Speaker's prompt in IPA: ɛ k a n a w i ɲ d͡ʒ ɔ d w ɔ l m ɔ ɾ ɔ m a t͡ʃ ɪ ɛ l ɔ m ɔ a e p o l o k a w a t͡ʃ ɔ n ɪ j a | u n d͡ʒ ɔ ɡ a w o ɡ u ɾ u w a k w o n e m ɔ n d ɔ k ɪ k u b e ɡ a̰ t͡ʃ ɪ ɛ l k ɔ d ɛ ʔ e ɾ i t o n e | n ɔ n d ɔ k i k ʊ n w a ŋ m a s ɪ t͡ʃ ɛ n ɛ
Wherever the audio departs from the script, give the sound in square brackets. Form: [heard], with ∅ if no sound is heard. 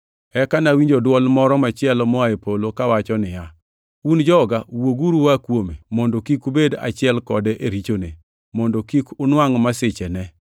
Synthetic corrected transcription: ɛ k a n a w i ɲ d͡ʒ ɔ d w ɔ l m ɔ ɾ ɔ m a t͡ʃ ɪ ɛ l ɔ m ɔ a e p o l o k a w a t͡ʃ ɔ n ɪ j a | u n d͡ʒ ɔ ɡ a w o ɡ u ɾ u w a k w o [m] e m ɔ n d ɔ k [i] k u b e [d] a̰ t͡ʃ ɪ ɛ l k ɔ d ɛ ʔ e ɾ i [t͡ʃ] o n e | [m] ɔ n d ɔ k i k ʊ n w a ŋ m a s ɪ t͡ʃ ɛ n ɛ